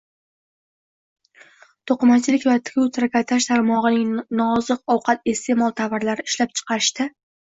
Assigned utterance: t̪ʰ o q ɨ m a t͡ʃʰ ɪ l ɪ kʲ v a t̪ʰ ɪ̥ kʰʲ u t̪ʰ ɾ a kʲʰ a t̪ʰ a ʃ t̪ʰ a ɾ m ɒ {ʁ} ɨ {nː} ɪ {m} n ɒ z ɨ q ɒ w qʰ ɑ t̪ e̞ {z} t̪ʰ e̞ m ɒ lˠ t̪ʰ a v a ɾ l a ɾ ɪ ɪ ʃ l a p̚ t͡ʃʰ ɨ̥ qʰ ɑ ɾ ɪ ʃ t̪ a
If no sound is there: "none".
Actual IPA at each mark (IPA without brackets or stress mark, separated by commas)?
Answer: ʁ, n, ŋ, s